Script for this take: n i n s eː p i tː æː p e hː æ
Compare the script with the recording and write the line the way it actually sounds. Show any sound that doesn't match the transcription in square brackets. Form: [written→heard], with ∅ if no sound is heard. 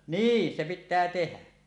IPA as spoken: n [i→iː] n s [eː→e] p i tː æː [p→t] e [hː→h] æ